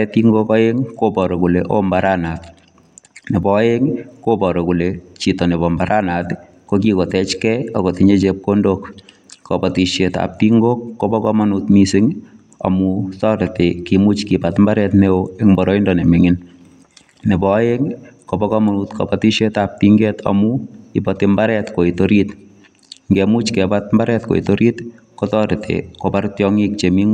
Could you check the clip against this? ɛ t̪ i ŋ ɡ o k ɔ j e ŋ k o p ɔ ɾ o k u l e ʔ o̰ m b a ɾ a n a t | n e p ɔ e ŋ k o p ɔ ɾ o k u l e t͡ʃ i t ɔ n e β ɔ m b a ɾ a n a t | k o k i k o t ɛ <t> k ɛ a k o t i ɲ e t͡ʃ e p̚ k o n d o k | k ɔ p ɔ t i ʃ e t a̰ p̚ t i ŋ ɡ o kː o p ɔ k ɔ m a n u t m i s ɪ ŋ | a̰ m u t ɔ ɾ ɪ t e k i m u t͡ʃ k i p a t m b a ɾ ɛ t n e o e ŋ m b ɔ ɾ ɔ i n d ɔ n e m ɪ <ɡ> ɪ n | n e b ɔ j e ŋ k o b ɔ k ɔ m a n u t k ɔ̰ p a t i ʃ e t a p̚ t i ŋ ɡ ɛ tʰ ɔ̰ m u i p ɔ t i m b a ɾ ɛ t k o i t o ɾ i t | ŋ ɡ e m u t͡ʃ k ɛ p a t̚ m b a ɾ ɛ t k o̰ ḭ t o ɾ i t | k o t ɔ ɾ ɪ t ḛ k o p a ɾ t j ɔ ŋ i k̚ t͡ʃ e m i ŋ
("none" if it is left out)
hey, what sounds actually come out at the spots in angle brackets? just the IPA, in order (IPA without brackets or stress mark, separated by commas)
t͡ʃ, ŋ